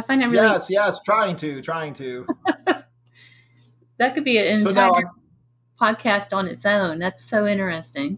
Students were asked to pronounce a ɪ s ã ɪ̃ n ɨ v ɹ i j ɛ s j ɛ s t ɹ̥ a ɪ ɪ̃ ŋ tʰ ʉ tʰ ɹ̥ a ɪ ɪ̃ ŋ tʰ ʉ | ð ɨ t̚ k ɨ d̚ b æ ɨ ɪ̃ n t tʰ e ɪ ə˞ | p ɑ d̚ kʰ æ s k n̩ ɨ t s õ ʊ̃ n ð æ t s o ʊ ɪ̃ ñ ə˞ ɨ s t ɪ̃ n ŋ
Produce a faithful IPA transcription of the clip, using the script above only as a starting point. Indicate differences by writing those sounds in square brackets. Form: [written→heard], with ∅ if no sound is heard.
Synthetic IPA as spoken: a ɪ [s→f] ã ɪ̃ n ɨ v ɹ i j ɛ s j ɛ s [t→tʰ] ɹ̥ a ɪ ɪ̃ ŋ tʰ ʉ tʰ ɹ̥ a ɪ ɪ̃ ŋ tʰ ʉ | ð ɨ t̚ k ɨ d̚ b [æ→i] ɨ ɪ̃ n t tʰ [e→a] ɪ ə˞ | [p→pʰ] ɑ d̚ kʰ æ s [k→t] n̩ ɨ t s õ ʊ̃ n ð æ t s o ʊ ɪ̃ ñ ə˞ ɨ s t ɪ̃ [n→∅] ŋ